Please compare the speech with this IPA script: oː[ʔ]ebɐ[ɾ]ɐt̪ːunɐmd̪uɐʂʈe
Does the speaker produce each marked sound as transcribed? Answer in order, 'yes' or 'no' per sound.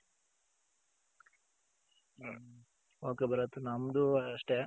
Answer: no, yes

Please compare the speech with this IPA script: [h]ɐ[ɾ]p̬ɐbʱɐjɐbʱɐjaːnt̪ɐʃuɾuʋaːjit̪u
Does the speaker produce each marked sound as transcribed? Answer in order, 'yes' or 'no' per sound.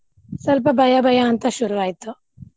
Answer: no, no

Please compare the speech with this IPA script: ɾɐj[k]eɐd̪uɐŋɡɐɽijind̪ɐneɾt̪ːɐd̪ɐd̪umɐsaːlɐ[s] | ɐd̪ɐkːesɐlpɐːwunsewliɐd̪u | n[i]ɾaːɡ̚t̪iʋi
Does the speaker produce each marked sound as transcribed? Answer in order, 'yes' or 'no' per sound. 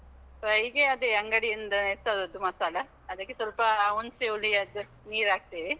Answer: no, no, no

